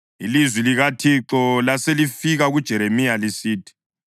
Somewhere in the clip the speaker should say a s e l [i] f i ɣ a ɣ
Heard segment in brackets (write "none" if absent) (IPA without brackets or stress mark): i